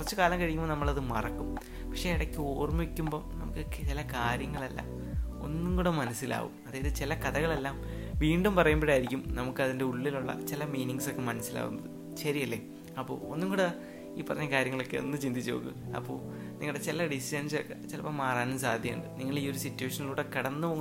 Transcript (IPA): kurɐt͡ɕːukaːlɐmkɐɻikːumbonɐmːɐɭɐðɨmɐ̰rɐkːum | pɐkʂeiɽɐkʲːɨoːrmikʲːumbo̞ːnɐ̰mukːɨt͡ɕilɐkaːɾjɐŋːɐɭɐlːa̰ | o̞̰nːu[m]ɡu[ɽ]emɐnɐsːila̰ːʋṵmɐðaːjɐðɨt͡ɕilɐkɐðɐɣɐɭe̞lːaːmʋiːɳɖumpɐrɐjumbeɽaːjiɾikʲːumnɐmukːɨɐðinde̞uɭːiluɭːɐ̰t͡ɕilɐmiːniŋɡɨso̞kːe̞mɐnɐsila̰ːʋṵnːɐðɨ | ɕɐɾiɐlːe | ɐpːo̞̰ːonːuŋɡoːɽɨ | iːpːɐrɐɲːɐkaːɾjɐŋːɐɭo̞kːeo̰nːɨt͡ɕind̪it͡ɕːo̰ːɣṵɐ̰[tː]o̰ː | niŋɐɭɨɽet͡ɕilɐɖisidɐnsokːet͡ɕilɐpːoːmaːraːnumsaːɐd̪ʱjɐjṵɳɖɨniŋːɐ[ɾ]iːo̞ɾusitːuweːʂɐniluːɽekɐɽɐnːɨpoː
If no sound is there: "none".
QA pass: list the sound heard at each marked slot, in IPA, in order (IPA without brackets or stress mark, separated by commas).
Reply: ŋ, ɽ, pː, ɭ